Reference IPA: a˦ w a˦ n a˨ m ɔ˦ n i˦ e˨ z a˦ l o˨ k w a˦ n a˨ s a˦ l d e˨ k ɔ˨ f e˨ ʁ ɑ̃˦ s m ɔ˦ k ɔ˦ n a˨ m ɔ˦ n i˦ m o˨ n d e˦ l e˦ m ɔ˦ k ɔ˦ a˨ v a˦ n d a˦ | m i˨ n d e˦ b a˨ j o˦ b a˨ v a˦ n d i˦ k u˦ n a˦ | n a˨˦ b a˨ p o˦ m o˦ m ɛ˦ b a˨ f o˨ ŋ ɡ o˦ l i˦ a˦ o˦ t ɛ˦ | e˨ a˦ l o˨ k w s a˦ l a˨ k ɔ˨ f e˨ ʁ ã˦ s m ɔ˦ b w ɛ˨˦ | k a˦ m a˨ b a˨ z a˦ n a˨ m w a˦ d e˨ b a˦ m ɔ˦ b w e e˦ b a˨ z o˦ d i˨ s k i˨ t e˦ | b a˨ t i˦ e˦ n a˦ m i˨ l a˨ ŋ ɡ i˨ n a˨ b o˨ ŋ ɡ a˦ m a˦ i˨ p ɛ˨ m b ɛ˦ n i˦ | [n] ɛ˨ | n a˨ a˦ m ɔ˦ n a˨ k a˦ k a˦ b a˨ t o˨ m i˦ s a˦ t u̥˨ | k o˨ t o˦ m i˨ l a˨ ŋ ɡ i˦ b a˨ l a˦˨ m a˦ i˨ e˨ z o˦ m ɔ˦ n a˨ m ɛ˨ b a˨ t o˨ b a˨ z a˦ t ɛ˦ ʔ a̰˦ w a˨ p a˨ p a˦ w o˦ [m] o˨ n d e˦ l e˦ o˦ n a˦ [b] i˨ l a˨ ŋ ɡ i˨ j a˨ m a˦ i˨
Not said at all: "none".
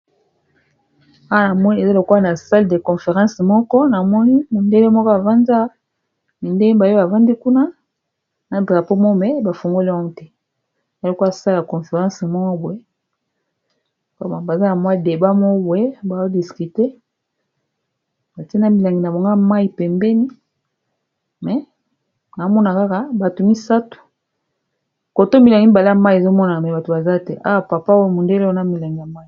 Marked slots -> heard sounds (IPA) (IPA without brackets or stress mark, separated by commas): m, m, m